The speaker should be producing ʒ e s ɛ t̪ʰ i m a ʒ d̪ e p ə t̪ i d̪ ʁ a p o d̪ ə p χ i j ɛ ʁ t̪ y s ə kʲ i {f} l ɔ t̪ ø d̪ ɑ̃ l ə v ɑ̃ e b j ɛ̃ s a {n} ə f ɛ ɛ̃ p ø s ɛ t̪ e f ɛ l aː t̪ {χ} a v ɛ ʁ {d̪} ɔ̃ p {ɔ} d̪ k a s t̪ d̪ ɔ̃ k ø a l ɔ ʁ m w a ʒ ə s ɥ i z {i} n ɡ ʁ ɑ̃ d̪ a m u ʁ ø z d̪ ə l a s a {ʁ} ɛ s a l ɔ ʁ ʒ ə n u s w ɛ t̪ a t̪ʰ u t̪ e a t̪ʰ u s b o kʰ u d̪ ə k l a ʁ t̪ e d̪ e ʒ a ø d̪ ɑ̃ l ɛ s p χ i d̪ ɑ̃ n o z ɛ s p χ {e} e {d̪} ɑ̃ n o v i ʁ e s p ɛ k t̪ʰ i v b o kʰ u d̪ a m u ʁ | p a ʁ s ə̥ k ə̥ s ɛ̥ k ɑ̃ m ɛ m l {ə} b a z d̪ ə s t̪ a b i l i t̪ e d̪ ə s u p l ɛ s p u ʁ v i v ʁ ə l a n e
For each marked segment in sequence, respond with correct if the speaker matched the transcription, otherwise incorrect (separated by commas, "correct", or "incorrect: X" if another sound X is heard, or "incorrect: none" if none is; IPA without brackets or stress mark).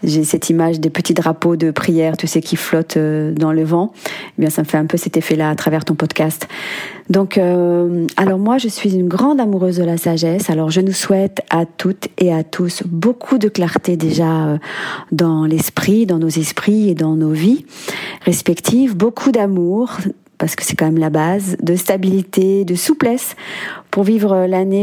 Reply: correct, incorrect: m, correct, incorrect: t̪, correct, incorrect: y, incorrect: ʒ, incorrect: i, correct, incorrect: a